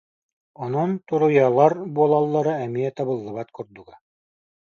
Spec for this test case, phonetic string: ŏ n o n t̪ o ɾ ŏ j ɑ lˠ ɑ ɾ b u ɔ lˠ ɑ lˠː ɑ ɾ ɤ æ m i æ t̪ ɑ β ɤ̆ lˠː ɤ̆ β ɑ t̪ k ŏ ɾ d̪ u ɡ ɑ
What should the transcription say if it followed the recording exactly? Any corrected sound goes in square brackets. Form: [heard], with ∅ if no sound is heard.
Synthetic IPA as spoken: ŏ n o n t̪ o ɾ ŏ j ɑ lˠ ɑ ɾ b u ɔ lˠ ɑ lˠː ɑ ɾ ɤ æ m i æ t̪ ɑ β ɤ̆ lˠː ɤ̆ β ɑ t̪ k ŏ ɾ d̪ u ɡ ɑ